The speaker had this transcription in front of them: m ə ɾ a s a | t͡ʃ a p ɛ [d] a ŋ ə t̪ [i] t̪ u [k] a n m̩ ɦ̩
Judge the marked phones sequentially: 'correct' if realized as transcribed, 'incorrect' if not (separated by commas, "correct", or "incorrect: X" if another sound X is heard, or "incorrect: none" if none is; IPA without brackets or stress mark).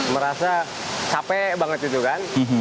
incorrect: b, correct, correct